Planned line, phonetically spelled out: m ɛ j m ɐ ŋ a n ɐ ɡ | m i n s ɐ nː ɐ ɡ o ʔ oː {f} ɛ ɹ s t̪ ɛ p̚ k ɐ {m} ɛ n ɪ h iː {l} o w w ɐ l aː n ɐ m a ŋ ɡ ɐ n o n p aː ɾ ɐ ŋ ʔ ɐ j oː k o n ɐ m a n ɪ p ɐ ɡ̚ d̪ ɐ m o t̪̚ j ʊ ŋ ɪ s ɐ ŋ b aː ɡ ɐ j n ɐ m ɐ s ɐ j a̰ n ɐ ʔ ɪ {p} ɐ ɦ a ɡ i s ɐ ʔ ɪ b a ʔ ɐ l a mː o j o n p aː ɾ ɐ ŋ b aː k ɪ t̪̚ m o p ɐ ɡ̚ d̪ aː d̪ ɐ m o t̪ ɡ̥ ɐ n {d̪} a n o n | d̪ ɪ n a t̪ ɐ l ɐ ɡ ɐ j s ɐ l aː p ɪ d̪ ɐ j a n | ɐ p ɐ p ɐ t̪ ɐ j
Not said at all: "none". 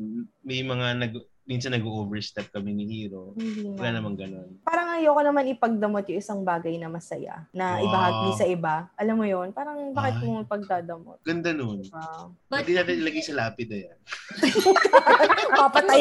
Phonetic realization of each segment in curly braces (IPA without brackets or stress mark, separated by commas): v, m, ɾ, b, d̪